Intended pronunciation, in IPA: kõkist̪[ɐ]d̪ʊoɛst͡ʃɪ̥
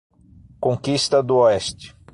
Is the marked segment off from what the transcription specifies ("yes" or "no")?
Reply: no